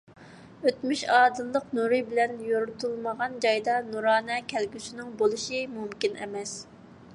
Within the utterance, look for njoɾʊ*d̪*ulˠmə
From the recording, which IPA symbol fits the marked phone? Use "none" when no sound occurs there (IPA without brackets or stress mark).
t̪